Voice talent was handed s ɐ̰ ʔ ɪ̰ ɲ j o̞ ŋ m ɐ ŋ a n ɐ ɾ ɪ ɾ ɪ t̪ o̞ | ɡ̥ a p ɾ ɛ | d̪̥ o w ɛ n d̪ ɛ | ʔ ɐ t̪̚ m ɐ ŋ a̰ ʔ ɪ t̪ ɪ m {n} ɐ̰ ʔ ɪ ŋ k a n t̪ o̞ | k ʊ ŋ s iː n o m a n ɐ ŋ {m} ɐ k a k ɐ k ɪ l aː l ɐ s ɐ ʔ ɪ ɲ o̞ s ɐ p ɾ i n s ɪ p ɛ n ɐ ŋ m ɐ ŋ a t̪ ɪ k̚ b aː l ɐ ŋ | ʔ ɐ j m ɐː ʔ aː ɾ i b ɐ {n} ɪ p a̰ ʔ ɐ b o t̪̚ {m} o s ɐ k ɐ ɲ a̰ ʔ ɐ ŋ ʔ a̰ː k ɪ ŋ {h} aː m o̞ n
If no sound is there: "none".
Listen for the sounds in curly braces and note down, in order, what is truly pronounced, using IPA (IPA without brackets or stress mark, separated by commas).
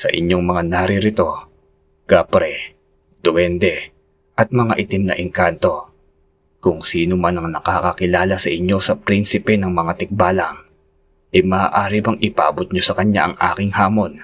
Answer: n, n, ŋ, ɲ, h